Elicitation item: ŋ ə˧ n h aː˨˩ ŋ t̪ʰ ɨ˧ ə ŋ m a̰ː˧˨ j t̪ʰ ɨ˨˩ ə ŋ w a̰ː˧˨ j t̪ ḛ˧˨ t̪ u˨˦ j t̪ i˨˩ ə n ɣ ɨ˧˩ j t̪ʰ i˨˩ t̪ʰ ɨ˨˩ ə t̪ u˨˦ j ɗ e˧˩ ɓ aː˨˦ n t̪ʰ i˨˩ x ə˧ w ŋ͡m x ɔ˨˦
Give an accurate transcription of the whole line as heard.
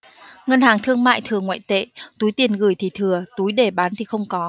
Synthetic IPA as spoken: ŋ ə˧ n h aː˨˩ ŋ t̪ʰ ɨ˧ ə ŋ m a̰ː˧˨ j t̪ʰ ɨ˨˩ ə ŋ w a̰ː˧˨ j t̪ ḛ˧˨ t̪ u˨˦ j t̪ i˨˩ ə n ɣ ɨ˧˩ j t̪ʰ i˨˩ t̪ʰ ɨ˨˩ ə t̪ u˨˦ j ɗ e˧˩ ɓ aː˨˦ n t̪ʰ i˨˩ x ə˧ w ŋ͡m k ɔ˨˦